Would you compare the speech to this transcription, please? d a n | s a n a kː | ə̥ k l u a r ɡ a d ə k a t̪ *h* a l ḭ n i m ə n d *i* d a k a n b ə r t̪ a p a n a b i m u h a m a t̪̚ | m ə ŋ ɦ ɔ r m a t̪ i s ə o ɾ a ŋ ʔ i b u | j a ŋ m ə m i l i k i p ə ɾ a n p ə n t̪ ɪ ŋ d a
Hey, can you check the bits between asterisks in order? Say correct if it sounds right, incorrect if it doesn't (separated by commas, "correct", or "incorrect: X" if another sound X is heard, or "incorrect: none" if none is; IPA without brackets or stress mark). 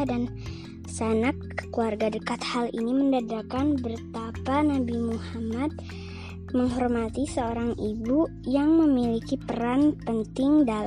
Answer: correct, incorrect: a